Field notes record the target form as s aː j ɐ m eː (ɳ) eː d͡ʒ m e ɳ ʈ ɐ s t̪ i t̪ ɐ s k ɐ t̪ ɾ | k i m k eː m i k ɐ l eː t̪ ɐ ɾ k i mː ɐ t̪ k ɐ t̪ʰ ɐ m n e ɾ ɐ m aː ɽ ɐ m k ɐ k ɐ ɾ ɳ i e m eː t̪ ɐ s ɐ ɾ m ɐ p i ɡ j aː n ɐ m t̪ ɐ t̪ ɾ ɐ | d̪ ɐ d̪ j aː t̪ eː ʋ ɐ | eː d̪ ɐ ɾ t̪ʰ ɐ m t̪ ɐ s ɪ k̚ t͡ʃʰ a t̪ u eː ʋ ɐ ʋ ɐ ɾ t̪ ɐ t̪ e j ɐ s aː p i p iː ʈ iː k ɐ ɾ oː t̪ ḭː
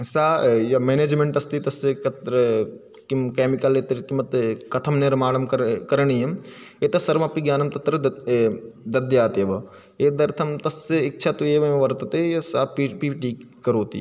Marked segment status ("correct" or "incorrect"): incorrect